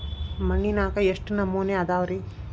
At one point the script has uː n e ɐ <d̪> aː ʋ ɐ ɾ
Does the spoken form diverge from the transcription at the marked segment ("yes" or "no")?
no